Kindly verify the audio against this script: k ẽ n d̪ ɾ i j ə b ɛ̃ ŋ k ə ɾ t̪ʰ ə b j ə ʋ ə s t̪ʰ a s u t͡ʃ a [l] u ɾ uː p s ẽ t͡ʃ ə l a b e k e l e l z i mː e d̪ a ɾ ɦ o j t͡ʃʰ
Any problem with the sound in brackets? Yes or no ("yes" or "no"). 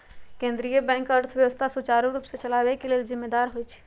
yes